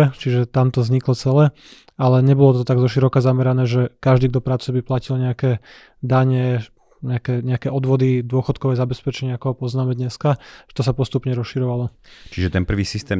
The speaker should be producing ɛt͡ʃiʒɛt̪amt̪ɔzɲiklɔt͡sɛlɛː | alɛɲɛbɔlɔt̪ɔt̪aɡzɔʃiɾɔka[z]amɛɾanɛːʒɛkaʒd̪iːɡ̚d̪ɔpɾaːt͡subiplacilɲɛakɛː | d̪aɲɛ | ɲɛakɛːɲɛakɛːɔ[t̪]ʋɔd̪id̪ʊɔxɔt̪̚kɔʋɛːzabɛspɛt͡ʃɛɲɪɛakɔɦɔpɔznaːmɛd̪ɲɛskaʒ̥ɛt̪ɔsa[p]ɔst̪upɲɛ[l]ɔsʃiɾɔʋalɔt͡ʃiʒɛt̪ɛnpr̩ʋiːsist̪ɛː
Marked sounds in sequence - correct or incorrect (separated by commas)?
correct, incorrect, correct, incorrect